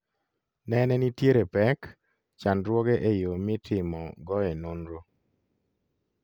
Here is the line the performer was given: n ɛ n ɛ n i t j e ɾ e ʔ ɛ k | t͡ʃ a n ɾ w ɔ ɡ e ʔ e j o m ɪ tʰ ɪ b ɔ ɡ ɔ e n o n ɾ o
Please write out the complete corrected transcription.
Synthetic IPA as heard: n ɛ n ɛ n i t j e ɾ e p ɛ k | t͡ʃ a n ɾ w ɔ ɡ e ʔ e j o m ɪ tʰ ɪ m ɔ ɡ ɔ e n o n ɾ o